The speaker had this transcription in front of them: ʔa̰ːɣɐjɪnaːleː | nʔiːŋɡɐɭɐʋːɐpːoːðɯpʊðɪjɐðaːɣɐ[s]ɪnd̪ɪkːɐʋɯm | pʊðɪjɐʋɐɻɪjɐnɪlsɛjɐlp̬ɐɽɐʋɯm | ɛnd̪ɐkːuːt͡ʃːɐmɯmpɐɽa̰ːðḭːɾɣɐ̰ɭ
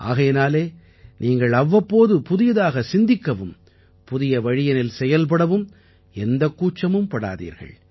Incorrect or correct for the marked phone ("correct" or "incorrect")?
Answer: correct